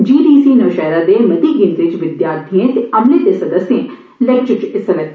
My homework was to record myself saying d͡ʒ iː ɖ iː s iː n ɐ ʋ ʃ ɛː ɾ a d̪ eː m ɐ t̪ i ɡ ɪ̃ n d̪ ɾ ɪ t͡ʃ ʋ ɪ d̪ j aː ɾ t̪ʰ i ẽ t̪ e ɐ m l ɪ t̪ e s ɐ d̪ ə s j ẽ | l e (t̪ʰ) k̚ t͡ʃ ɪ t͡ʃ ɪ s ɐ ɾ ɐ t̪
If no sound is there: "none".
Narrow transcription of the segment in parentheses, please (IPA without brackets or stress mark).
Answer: none